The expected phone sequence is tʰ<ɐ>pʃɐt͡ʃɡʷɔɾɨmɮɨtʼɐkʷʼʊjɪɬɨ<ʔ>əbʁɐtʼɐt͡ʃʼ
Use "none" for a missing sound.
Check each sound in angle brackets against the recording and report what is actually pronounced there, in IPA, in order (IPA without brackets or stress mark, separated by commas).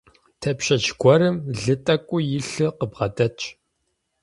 ɐ, q